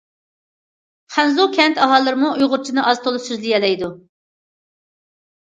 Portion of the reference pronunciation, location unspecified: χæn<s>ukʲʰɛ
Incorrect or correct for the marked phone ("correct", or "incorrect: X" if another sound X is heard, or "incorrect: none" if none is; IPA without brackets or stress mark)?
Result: incorrect: z